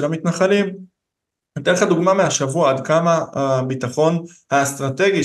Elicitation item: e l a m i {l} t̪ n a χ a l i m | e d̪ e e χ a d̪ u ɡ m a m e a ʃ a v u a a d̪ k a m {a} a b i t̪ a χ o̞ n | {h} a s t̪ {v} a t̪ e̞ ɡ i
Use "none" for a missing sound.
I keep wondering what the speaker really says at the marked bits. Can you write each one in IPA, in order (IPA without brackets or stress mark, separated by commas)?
none, a, h, ʁ